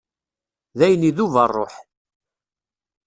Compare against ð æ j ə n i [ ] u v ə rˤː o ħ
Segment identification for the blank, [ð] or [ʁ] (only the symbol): ð